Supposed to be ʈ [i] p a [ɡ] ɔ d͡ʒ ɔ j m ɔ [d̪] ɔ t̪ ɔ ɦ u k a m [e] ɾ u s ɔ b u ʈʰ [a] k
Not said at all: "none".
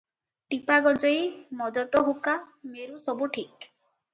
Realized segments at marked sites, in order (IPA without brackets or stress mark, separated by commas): i, ɡ, d̪, e, i